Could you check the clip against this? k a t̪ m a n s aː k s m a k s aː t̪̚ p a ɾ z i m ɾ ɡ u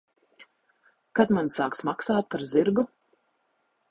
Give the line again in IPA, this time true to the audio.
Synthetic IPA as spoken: k a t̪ m a n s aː k s m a k s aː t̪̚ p a ɾ z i ɾ ɡ u